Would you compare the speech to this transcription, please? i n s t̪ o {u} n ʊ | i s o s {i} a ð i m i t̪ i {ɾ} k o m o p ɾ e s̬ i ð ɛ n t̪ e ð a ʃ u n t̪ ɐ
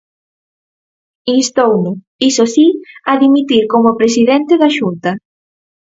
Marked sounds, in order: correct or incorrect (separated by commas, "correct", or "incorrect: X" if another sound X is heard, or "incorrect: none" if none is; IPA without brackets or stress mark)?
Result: incorrect: w, correct, correct